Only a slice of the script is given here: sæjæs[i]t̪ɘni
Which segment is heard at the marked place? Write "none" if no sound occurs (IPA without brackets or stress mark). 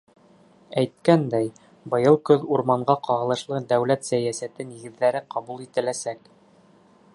æ